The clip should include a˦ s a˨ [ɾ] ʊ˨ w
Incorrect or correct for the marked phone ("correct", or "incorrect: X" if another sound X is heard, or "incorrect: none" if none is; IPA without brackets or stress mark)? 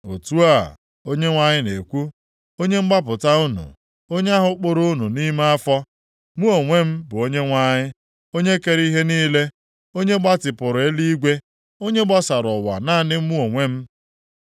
correct